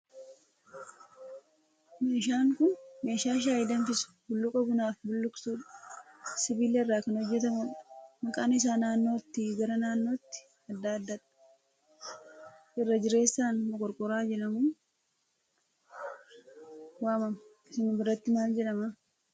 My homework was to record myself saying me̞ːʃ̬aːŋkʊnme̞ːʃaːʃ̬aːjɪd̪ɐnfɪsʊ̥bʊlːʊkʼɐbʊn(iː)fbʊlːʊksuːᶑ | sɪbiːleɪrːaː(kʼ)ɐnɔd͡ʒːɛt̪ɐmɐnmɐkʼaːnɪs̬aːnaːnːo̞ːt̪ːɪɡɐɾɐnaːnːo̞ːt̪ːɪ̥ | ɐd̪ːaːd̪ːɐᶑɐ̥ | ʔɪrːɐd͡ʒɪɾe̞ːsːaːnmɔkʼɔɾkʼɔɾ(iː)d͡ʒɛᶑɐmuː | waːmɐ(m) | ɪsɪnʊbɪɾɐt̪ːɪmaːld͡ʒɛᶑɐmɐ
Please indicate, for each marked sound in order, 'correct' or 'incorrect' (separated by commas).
incorrect, incorrect, incorrect, correct